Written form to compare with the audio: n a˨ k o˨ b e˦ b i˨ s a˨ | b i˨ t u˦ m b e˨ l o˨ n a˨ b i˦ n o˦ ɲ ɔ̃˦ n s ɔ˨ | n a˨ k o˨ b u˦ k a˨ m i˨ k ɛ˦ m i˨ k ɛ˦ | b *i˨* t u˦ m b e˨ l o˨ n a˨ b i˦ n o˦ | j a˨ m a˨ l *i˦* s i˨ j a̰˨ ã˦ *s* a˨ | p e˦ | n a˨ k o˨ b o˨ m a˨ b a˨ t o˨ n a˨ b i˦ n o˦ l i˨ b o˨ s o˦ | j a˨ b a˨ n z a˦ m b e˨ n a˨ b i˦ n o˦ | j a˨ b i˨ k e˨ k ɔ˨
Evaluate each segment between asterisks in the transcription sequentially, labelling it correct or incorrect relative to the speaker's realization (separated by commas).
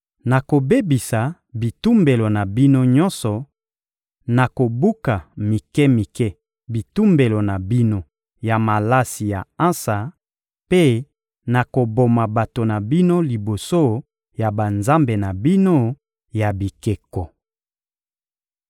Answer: correct, incorrect, correct